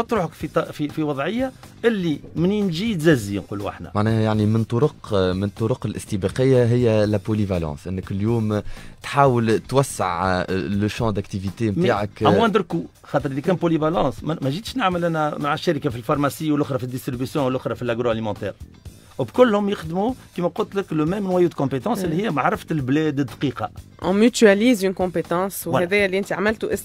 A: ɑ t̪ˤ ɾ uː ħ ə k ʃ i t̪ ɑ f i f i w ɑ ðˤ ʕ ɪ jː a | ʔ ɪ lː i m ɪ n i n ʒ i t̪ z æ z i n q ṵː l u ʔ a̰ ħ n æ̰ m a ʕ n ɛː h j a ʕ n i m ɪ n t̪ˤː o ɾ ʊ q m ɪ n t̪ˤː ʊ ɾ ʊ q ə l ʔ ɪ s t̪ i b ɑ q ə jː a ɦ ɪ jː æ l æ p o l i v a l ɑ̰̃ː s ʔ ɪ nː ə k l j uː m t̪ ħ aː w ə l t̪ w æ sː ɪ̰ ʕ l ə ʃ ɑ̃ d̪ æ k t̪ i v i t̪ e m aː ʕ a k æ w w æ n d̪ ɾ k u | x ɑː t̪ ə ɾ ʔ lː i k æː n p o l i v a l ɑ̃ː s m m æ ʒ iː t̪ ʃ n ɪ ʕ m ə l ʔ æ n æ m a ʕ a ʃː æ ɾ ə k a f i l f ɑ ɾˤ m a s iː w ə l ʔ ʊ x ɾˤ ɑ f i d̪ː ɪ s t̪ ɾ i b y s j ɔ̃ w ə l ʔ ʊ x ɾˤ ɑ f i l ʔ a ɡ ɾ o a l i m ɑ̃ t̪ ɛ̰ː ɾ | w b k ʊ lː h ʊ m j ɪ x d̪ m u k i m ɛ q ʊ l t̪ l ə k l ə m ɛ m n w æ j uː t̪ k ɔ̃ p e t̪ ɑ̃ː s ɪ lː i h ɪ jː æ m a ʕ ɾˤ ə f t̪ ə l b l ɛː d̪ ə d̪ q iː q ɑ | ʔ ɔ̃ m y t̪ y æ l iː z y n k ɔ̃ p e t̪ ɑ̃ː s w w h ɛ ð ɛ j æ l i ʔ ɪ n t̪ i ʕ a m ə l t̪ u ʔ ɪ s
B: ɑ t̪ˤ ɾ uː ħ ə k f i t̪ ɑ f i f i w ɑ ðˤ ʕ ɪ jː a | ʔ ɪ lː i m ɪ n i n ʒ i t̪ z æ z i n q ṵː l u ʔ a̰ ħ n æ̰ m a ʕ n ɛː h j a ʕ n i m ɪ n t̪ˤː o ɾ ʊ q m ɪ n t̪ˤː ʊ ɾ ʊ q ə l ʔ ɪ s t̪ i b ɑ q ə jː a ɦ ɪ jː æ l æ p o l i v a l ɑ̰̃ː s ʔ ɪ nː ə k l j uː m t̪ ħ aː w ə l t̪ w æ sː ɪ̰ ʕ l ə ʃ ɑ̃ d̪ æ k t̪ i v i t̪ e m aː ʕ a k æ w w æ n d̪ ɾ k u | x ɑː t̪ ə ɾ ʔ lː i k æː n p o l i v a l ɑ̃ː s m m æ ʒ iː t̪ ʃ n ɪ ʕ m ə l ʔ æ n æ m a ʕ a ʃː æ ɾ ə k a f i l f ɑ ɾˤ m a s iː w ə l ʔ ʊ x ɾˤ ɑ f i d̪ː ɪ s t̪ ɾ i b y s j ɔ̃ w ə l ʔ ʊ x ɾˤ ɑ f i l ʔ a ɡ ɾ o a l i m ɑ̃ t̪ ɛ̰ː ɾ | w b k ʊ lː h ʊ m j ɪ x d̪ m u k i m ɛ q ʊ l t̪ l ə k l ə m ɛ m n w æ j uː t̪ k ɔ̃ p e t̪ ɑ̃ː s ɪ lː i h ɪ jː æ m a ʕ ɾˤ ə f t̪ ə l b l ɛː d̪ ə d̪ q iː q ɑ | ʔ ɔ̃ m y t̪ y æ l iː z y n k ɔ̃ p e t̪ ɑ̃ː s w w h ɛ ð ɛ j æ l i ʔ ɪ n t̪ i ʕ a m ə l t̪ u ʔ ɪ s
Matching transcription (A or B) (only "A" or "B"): B